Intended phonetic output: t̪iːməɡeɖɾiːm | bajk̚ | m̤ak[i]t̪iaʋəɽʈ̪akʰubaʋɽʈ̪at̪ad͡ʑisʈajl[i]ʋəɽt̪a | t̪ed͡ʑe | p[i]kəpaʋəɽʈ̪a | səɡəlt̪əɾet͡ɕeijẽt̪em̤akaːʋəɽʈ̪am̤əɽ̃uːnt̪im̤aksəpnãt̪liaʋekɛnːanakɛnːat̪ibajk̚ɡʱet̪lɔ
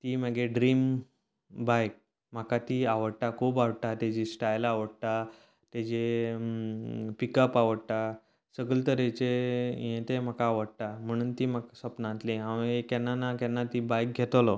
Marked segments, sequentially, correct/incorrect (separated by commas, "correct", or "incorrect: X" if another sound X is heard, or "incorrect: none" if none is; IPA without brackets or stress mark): incorrect: a, incorrect: a, correct